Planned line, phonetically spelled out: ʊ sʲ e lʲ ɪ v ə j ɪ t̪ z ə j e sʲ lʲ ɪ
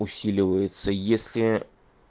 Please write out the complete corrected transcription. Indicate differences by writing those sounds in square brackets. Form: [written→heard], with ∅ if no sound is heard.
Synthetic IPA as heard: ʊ sʲ [e→i] lʲ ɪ v ə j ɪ t̪ [z→s] ə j e sʲ lʲ ɪ